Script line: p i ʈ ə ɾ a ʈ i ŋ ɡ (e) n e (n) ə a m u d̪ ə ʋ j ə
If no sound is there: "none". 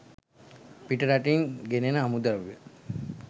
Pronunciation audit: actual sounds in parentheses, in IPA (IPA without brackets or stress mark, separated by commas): e, n